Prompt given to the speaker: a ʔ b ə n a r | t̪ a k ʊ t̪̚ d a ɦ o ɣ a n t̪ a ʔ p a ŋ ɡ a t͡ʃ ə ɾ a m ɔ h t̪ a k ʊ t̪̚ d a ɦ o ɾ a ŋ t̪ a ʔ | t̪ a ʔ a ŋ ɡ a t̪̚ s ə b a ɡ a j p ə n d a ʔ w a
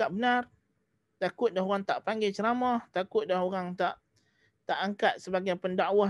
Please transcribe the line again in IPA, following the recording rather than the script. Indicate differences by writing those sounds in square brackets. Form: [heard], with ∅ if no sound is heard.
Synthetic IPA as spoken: a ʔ b ə n a r | t̪ a k ʊ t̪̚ d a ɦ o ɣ a [ŋ] t̪ a ʔ p a ŋ ɡ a t͡ʃ ə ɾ a m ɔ h t̪ a k ʊ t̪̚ d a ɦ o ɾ a ŋ t̪ a ʔ | t̪ a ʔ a ŋ [k] a t̪̚ s ə b a ɡ a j p ə n d a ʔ w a